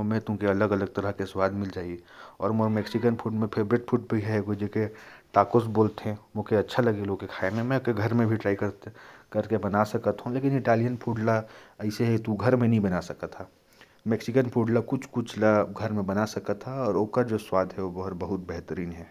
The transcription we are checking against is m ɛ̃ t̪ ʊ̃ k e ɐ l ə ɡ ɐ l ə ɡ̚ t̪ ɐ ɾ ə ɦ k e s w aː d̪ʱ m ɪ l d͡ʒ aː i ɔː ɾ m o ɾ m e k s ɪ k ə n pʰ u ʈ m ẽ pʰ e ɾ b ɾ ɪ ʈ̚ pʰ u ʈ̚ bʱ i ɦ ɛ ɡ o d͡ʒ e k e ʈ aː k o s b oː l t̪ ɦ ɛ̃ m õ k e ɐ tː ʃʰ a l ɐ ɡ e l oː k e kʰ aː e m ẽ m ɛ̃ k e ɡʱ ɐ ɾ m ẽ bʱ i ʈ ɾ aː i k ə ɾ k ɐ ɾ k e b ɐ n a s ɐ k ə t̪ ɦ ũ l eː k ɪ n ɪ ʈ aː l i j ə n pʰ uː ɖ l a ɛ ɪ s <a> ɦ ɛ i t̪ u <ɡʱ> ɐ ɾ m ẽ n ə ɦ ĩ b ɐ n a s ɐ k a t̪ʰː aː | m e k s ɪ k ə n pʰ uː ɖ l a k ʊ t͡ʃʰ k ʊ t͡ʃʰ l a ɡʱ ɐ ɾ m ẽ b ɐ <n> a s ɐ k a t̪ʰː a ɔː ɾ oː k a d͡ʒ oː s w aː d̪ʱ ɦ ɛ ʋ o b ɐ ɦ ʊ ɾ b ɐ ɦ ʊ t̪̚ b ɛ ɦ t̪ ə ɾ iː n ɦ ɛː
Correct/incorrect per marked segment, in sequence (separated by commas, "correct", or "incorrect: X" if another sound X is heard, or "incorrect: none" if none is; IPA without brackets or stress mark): incorrect: e, correct, correct